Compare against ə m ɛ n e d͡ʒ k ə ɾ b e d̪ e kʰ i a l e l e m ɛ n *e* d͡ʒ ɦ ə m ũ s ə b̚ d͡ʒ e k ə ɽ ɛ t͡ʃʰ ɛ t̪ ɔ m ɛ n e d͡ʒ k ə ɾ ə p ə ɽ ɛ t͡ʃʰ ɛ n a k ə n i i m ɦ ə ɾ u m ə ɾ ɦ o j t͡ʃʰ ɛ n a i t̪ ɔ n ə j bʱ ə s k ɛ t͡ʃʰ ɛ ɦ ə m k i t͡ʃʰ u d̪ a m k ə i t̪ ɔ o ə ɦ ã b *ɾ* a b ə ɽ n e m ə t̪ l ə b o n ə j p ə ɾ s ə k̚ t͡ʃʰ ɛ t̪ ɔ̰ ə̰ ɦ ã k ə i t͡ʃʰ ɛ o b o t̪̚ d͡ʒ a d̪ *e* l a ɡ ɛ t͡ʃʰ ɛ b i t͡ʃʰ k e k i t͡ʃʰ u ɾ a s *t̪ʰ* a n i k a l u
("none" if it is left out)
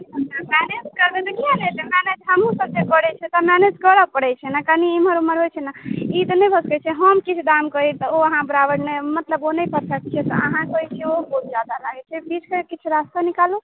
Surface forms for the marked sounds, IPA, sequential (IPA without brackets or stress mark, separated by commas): e, ɾ, a, t̪